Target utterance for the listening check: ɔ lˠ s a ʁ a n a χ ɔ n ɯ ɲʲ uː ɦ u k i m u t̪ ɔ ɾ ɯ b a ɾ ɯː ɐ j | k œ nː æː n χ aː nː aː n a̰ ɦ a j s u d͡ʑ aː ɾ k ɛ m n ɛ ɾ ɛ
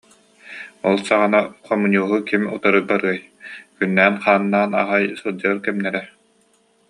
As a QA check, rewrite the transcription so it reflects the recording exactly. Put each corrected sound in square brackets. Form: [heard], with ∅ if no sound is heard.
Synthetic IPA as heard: ɔ lˠ s a ʁ a n a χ ɔ [m] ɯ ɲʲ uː ɦ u k i m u t̪ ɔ ɾ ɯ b a ɾ [ɯ] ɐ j | k [y] nː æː n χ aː nː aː n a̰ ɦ a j s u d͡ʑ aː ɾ k ɛ m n ɛ ɾ ɛ